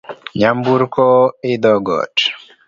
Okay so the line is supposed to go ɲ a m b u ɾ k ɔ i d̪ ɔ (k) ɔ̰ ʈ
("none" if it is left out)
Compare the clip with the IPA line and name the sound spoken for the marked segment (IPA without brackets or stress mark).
ɡ